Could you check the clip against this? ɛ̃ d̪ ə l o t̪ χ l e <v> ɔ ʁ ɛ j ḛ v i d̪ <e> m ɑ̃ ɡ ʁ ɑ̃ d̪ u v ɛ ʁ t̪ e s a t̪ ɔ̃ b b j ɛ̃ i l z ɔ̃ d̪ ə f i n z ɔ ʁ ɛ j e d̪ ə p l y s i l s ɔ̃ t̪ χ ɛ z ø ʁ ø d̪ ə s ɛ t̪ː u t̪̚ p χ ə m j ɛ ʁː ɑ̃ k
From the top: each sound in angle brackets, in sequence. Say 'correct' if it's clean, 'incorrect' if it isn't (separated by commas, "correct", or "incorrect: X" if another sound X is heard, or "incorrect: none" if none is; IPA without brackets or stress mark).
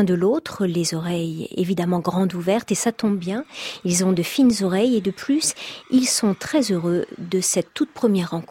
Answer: incorrect: z, incorrect: a